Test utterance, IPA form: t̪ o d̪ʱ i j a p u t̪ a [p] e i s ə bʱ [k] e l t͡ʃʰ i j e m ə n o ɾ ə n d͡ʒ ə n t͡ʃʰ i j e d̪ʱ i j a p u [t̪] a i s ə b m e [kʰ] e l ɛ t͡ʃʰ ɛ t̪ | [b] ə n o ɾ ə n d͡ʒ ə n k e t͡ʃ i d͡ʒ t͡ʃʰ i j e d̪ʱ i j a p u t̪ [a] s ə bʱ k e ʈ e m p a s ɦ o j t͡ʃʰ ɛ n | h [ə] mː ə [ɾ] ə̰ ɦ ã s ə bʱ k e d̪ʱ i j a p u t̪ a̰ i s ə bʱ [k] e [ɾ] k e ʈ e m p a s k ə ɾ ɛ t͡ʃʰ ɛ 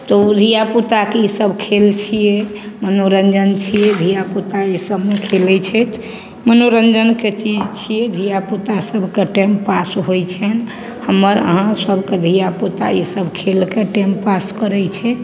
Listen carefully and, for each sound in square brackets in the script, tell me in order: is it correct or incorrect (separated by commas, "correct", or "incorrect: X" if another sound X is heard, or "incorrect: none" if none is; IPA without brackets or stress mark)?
incorrect: k, incorrect: kʰ, correct, correct, incorrect: m, correct, correct, correct, incorrect: kʰ, incorrect: l